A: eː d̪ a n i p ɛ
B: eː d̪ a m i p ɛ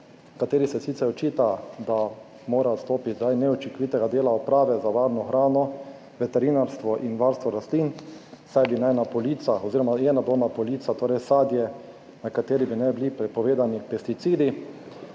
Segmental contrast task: A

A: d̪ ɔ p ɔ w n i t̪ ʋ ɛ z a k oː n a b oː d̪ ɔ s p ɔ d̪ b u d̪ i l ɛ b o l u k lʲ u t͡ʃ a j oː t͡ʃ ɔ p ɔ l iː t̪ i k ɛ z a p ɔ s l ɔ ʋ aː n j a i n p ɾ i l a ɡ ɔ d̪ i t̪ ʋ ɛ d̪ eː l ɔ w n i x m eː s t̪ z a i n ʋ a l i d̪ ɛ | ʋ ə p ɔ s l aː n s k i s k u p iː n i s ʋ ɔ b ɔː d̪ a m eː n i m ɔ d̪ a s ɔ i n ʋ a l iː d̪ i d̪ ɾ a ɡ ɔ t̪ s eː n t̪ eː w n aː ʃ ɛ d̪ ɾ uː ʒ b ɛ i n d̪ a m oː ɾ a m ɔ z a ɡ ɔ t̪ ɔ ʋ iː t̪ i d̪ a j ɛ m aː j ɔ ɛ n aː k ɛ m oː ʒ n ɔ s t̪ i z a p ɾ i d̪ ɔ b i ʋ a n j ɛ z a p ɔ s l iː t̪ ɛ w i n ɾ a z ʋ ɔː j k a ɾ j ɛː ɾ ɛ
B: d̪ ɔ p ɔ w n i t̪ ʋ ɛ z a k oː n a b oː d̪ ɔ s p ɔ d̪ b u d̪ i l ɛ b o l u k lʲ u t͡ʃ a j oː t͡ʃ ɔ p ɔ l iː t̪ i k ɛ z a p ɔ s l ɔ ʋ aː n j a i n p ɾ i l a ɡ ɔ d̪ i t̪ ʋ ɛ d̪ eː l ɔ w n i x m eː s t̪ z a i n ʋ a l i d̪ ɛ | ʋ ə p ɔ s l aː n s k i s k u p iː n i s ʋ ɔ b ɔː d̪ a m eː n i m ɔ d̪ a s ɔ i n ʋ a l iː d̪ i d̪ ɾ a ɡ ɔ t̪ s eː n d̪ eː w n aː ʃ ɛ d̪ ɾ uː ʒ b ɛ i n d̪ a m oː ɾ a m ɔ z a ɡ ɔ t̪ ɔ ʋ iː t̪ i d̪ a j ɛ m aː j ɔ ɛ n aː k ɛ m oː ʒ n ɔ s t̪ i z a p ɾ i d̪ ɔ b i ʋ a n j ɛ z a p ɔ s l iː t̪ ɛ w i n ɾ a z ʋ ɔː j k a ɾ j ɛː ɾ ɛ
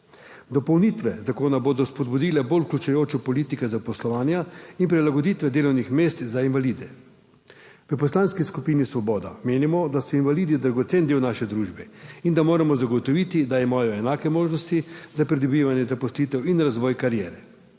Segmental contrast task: B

